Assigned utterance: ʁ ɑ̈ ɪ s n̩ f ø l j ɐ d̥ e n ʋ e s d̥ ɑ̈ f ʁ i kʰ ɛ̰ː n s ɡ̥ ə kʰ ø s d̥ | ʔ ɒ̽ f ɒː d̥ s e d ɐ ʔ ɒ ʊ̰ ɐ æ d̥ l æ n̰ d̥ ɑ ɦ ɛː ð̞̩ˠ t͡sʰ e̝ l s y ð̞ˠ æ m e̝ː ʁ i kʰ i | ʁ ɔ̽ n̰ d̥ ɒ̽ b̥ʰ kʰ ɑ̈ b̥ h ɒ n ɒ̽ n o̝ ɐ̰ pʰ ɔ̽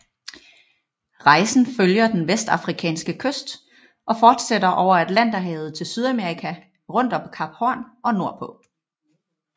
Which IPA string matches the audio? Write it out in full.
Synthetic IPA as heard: ʁ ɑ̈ ɪ s n̩ f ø l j ɐ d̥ e n ʋ e s d̥ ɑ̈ f ʁ i kʰ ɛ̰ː n s ɡ̥ ə kʰ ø s d̥ | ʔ ɒ̽ f ɒː d̥ s e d ɐ ʔ ɒ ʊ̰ ɐ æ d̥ l æ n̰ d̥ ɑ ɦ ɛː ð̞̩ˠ t͡sʰ e̝ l s y ð̞ˠ æ m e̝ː ʁ i kʰ æ | ʁ ɔ̽ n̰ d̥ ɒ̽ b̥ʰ kʰ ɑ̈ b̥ h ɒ n ɒ̽ n o̝ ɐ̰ pʰ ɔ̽